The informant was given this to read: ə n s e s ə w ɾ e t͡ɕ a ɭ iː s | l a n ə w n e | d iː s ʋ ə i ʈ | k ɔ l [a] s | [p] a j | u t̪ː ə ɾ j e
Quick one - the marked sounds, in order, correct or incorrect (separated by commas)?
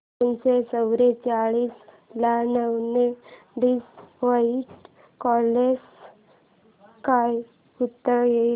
incorrect, incorrect